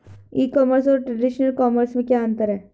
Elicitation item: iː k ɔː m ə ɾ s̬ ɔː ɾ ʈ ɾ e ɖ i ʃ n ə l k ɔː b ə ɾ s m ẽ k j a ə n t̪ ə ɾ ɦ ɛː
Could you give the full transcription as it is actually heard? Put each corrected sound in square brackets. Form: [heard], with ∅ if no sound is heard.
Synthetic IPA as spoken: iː k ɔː m ə ɾ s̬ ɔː ɾ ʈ ɾ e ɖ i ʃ n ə l k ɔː [m] ə ɾ s m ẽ k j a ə n t̪ ə ɾ ɦ ɛː